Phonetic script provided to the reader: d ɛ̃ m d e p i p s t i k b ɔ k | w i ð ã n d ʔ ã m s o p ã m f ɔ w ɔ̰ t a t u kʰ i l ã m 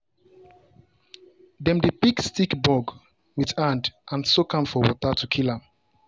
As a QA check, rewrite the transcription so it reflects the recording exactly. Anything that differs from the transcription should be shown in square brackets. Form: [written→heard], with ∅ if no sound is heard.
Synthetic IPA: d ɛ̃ m d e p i [p→k] s t i k b ɔ [k→ɡ] | w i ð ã n d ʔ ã [m→n] s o [p→k] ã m f ɔ w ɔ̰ t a t u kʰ i l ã m

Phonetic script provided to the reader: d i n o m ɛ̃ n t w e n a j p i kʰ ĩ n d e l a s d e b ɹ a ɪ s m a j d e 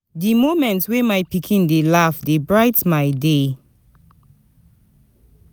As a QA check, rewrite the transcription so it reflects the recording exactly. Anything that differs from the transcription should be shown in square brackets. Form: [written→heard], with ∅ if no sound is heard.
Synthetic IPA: d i [n→m] o m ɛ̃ n t w e [n→m] a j p i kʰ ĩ n d e l a [s→f] d e b ɹ a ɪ [s→t] m a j d e

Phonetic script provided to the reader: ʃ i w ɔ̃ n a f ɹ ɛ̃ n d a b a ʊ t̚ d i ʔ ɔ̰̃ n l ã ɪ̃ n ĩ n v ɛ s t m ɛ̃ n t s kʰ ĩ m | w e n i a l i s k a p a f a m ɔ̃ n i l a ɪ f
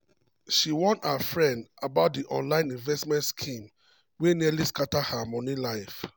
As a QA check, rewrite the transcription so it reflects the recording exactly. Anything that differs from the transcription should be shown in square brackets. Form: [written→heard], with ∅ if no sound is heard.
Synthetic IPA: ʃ i w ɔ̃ n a f ɹ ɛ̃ n d a b a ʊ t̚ d i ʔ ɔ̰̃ n l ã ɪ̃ n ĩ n v ɛ s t m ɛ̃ n t s kʰ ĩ m | w e n i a l i s k a [p→t] a [f→h] a m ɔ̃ n i l a ɪ f

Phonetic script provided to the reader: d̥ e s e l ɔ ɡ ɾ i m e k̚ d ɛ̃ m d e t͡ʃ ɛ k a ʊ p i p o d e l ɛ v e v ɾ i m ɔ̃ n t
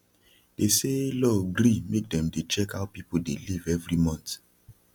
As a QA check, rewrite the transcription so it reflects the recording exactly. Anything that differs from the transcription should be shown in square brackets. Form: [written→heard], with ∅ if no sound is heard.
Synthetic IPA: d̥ e s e l ɔ ɡ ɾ i m e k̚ d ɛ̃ m d e t͡ʃ ɛ k a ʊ p i p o d e l [ɛ→i] v [e→ɛ] v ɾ i m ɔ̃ n t

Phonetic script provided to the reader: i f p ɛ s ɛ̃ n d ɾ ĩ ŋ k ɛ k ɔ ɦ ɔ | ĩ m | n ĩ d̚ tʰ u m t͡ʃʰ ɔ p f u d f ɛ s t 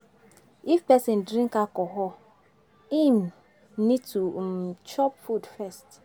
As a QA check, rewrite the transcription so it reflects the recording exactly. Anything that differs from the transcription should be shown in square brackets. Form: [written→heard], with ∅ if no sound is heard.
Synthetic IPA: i f p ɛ s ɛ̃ n d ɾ ĩ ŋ k [ɛ→a] k ɔ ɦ ɔ | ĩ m | n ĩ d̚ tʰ u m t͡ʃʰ ɔ p f u d f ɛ s t

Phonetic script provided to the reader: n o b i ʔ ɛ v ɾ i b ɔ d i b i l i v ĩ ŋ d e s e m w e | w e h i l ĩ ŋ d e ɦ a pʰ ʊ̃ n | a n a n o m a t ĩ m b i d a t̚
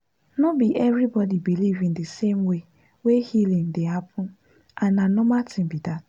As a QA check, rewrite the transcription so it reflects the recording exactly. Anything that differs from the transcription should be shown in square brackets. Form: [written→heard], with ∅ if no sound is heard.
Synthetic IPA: n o b i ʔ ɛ v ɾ i b ɔ d i b i l i v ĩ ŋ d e s e m w e | w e h i l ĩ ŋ d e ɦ a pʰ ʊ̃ n | a n a n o m a t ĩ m b i d a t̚

